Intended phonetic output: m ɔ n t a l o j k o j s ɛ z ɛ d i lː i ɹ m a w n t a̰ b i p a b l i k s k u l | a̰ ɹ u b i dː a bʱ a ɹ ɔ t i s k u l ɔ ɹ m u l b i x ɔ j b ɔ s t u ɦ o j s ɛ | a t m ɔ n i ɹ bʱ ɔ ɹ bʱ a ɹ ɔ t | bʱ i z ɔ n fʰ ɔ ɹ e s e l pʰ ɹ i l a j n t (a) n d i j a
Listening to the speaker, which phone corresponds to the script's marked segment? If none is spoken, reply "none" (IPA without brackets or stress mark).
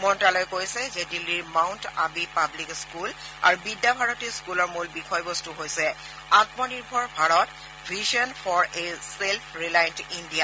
i